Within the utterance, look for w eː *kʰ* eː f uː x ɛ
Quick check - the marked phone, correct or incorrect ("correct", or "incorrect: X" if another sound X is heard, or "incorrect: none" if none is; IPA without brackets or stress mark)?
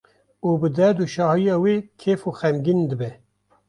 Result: correct